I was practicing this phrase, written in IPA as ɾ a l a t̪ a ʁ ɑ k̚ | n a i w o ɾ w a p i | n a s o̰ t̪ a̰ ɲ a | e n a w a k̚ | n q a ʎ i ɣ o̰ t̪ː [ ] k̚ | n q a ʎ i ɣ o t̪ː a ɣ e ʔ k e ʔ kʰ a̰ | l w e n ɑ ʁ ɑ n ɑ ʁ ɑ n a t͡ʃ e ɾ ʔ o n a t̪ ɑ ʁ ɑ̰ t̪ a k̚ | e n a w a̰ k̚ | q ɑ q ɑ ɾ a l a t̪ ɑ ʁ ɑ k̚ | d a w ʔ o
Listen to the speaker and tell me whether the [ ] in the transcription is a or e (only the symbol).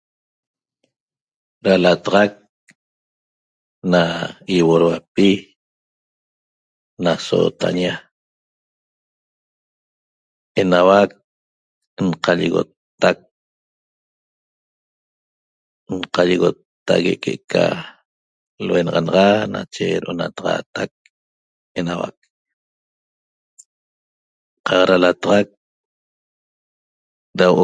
a